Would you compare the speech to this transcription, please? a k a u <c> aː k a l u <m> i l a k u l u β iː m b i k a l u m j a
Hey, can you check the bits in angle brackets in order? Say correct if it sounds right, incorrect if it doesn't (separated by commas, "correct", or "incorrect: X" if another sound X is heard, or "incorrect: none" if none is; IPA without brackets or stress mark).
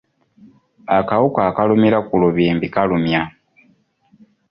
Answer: incorrect: k, correct